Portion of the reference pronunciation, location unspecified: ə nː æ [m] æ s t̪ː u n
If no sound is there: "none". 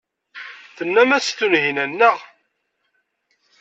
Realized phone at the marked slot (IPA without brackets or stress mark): m